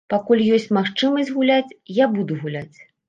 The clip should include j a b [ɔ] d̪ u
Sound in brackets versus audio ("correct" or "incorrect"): incorrect